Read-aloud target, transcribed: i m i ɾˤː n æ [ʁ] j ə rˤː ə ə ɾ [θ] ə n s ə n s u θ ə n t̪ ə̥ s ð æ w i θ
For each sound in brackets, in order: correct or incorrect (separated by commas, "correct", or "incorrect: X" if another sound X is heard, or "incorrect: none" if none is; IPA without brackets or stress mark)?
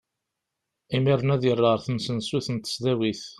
incorrect: ð, correct